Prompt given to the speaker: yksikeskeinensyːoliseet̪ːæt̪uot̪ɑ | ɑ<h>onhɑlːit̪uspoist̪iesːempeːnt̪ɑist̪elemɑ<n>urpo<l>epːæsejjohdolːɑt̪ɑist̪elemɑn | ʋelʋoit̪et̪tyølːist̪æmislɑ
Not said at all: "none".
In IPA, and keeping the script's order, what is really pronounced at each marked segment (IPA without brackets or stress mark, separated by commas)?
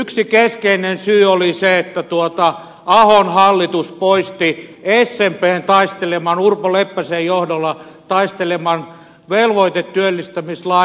h, n, l